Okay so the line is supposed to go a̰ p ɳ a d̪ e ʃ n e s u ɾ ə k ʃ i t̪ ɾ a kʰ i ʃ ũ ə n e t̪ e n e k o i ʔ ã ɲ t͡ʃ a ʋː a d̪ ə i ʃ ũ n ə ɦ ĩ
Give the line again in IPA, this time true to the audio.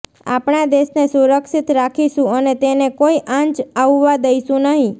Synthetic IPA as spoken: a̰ p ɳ a d̪ e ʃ n e s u ɾ ə k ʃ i t̪ ɾ a kʰ i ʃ ũ ə n e t̪ e n e k o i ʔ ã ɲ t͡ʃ a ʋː a d̪ ə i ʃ ũ n ə ɦ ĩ